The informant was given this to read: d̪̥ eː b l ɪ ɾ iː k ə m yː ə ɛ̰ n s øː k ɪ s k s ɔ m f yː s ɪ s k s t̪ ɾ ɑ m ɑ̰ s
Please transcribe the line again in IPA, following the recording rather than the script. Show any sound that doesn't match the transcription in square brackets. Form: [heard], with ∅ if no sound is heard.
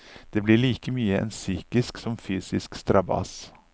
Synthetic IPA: d̪̥ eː b l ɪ [ɭ] iː k ə m yː ə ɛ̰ n s [yː] k ɪ s k s ɔ m f yː s ɪ s k s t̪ ɾ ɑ [b] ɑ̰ s